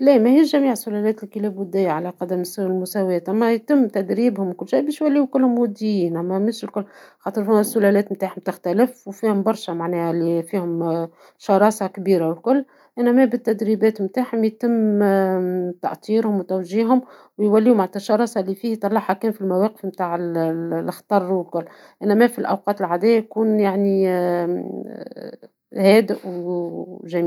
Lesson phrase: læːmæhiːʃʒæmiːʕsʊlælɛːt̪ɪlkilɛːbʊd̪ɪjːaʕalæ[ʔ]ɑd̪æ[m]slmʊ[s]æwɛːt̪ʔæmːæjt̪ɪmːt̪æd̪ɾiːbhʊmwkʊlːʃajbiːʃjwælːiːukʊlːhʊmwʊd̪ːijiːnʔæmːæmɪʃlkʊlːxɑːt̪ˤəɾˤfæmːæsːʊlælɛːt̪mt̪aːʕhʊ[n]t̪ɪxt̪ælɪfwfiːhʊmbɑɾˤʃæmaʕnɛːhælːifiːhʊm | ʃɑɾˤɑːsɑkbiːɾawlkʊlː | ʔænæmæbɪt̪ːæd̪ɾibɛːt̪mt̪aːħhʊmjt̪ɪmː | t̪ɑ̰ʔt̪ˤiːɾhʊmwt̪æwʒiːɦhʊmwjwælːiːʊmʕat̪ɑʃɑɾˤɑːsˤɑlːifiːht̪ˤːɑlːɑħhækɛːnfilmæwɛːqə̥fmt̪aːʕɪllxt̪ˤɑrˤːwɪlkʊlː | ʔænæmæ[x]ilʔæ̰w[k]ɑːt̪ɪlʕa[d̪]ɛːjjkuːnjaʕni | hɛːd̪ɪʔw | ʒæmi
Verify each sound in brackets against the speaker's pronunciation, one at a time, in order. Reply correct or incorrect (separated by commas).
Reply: incorrect, correct, correct, incorrect, incorrect, incorrect, correct